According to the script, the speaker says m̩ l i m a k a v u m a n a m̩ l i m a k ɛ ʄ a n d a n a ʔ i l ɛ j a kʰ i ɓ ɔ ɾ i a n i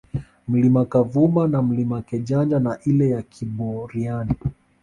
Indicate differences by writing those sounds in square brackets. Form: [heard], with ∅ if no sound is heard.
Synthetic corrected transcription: m̩ l i m a k a v u m a n a m̩ l i m a k ɛ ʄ a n [d͡ʒ] a n a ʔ i l ɛ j a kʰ i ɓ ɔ ɾ i a n i